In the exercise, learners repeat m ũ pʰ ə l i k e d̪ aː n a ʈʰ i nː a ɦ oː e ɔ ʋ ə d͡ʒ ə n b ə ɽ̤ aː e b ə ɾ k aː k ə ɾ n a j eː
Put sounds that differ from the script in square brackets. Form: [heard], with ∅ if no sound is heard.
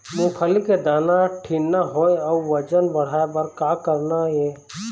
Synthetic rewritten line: m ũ [kʰ] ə l i k e d̪ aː n a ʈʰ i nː a ɦ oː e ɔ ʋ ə d͡ʒ ə n b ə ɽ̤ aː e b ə ɾ k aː k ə ɾ n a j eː